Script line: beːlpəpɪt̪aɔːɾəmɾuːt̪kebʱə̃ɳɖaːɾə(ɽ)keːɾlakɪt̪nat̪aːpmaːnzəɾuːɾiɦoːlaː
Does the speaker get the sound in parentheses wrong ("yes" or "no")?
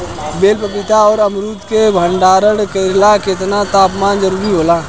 no